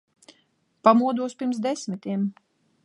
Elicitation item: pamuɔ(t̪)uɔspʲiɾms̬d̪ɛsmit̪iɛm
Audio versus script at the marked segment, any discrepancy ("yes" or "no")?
yes